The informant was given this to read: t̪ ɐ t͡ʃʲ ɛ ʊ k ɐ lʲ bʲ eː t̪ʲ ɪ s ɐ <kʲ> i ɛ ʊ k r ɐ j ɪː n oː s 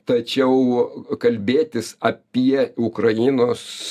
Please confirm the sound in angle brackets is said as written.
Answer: no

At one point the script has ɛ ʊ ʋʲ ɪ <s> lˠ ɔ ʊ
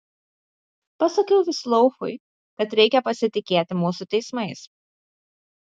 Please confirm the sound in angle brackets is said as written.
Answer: yes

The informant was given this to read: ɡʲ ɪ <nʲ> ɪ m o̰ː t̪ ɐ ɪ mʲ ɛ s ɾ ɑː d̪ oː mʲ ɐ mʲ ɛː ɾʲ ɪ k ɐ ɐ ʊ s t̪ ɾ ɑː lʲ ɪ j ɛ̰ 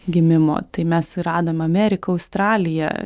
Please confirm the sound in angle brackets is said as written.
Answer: no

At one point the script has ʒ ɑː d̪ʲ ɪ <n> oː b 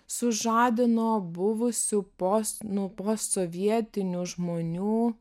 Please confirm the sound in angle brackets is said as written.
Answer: yes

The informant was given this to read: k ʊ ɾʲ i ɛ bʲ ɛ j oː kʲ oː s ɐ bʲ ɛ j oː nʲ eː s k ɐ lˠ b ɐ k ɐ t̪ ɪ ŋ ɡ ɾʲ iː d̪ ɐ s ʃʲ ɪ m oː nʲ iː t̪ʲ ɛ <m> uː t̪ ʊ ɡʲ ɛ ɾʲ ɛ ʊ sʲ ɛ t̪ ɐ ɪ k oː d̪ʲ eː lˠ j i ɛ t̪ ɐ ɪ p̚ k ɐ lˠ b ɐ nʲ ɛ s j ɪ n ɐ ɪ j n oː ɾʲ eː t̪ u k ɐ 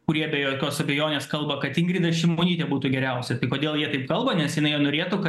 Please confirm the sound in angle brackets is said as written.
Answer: no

